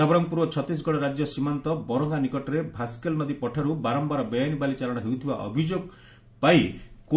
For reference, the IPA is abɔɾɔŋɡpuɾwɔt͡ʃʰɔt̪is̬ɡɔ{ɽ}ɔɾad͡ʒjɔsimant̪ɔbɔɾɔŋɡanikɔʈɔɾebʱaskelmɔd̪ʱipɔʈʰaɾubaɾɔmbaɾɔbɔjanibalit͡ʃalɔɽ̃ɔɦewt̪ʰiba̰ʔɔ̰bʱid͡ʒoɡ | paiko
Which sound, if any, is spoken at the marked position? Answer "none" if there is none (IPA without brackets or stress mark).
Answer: ɽ